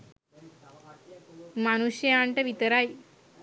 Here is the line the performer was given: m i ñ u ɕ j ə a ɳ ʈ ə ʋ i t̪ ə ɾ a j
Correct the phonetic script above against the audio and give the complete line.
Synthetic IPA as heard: m a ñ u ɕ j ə a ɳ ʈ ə ʋ i t̪ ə ɾ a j